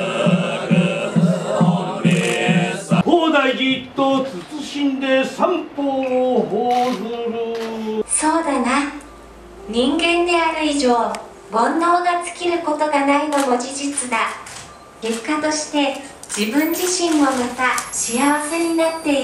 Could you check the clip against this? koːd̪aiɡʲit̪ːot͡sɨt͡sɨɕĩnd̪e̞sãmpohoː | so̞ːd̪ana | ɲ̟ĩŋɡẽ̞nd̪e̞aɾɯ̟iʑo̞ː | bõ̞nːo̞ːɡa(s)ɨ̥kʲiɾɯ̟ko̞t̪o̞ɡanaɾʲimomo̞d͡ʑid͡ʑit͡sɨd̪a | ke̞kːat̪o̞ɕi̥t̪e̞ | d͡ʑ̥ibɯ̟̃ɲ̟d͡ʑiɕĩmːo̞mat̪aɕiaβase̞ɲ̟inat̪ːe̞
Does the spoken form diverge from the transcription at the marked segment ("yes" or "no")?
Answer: yes